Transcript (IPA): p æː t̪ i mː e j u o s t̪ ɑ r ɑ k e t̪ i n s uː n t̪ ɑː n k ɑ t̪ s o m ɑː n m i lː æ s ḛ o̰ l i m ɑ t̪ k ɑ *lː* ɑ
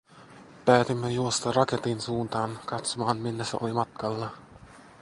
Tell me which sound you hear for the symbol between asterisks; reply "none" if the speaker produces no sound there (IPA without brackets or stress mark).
lː